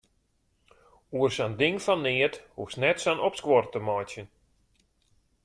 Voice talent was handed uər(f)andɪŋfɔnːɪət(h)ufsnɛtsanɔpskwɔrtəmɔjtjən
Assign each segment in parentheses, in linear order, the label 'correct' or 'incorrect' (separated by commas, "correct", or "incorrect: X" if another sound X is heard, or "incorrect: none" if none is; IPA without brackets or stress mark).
incorrect: s, correct